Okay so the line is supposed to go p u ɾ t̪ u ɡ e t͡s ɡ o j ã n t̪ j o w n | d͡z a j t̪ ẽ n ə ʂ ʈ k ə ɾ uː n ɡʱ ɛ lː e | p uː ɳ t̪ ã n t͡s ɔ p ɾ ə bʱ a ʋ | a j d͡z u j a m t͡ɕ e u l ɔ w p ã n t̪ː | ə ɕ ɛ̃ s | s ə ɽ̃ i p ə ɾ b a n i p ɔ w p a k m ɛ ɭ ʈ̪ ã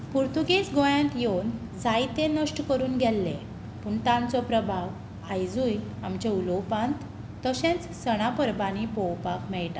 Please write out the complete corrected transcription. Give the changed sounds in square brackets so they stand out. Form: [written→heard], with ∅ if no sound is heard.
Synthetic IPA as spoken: p u ɾ t̪ u ɡ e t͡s ɡ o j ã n t̪ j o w n | d͡z a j t̪ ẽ n ə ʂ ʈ k ə ɾ uː n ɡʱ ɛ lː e | p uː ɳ t̪ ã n t͡s ɔ p ɾ ə bʱ a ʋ | a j d͡z u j a m t͡ɕ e u l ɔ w p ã n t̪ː | ə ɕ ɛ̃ [s→t͡s] | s ə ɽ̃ [i→a] p ə ɾ b a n i p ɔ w p a k m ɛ ɭ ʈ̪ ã